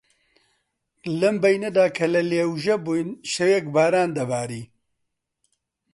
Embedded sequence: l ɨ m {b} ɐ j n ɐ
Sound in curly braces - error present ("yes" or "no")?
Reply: no